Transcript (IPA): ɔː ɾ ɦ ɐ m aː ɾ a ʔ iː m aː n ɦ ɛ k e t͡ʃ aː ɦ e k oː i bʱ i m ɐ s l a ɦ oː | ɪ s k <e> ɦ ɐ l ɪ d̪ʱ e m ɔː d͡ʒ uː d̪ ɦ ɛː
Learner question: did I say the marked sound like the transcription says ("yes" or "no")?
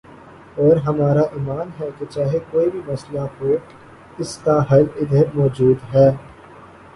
no